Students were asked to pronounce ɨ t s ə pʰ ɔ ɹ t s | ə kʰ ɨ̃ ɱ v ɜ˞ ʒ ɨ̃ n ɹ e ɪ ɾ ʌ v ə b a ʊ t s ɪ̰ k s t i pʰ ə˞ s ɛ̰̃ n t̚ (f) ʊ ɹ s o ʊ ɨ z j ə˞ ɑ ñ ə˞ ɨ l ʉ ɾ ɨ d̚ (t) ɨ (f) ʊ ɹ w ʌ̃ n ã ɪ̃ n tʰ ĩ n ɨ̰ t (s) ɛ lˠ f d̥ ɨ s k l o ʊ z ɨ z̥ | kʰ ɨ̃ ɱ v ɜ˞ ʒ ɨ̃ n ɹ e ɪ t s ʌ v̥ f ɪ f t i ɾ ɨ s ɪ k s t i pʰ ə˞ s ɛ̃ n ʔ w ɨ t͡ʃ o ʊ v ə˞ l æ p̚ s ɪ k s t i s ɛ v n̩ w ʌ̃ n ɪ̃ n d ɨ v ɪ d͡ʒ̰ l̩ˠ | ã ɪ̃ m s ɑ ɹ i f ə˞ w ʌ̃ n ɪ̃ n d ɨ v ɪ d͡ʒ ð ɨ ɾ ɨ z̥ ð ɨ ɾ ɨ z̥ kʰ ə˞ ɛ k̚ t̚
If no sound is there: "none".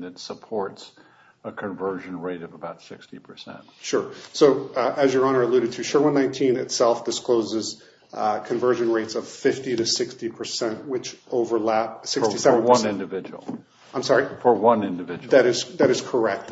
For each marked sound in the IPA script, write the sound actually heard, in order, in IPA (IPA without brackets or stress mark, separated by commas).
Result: ʃ, tʰ, ʃ, s